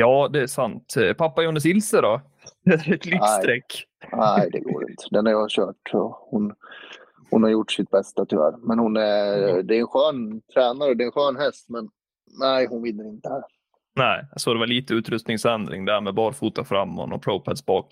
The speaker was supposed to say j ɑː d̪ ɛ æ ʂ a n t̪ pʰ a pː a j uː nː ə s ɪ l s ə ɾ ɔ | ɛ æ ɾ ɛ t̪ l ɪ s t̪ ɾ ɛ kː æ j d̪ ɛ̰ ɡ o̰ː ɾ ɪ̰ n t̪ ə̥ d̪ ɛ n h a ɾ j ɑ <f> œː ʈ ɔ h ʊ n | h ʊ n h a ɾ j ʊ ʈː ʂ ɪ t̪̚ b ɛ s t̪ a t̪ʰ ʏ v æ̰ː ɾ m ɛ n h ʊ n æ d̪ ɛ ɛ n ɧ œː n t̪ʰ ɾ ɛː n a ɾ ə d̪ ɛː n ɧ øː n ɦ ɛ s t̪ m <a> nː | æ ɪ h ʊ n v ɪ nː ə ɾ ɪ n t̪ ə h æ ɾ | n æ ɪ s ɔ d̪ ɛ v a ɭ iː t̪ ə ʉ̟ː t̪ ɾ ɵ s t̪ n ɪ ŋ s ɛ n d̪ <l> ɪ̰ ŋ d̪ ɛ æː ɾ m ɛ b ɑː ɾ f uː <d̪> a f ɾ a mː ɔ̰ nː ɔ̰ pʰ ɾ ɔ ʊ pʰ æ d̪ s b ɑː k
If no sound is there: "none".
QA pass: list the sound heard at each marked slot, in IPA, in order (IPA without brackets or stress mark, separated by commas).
ɕ, ɛ, ɾ, t̪